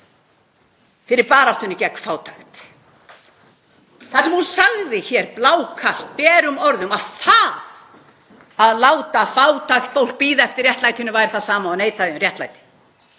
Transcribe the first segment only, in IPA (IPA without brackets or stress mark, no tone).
f